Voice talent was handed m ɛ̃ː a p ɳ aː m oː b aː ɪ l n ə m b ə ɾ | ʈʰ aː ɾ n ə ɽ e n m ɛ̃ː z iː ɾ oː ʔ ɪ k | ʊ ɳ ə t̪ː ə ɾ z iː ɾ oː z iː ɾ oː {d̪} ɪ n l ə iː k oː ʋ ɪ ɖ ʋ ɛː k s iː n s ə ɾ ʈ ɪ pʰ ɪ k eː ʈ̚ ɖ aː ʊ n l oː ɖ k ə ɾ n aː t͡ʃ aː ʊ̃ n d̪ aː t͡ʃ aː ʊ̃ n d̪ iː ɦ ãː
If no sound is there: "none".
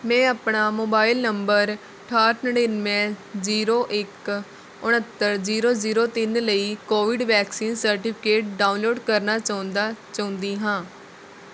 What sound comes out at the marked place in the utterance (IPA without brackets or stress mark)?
t̪